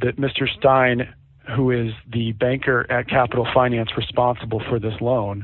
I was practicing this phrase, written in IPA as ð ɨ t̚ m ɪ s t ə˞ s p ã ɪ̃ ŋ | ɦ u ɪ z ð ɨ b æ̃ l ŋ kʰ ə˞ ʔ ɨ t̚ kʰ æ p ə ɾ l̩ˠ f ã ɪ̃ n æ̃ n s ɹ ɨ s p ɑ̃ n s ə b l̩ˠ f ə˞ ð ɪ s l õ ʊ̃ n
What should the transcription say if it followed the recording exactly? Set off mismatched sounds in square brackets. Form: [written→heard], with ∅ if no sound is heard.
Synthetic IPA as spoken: ð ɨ t̚ m ɪ s t ə˞ s [p→t] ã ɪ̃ [ŋ→n] | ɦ u ɪ z ð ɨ b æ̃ [l→∅] ŋ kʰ ə˞ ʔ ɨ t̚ kʰ æ p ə ɾ l̩ˠ f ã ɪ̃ n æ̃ n s ɹ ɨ s p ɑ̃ n s ə b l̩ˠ f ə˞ ð ɪ s l õ ʊ̃ n